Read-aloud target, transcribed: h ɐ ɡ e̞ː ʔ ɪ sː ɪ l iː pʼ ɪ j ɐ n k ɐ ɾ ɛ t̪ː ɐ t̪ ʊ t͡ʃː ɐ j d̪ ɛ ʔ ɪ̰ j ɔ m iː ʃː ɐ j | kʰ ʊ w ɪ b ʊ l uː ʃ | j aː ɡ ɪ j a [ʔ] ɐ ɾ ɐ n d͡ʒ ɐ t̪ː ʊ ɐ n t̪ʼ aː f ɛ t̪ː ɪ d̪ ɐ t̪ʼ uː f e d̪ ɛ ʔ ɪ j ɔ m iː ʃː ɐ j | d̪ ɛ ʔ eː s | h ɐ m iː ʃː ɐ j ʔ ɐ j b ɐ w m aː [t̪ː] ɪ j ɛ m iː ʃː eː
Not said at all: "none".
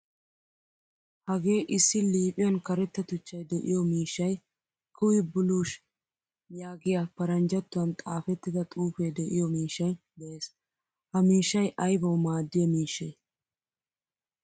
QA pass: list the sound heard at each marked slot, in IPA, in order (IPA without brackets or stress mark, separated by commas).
p, d̪ː